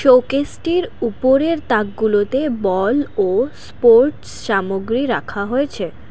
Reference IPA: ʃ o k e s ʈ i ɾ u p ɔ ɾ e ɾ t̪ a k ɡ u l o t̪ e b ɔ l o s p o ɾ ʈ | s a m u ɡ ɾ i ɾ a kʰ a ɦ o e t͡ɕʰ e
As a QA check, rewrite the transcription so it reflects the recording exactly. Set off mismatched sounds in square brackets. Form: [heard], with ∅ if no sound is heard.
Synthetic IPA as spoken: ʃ o k e s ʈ i ɾ u p [o] ɾ e ɾ t̪ a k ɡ u l o t̪ e b ɔ l o s p o ɾ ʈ | [ʃ] a m [o] ɡ ɾ i ɾ a kʰ a ɦ o e t͡ɕʰ e